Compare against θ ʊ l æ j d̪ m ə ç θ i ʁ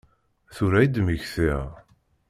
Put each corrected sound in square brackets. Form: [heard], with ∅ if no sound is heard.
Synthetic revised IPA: θ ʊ [ɾ] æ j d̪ m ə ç θ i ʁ